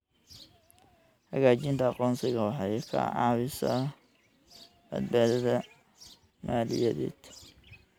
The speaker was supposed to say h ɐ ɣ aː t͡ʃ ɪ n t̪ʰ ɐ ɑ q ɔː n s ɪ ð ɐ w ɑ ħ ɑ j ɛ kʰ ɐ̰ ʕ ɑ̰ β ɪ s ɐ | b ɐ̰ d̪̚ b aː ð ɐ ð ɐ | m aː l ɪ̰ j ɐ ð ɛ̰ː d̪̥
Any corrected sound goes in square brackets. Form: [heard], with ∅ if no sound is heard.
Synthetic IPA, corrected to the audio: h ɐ ɣ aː t͡ʃ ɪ n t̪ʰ ɐ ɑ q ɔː n s ɪ [ɣ] ɐ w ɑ ħ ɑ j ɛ kʰ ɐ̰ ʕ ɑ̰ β ɪ s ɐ | b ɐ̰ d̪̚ b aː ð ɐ ð ɐ | m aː l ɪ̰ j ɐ ð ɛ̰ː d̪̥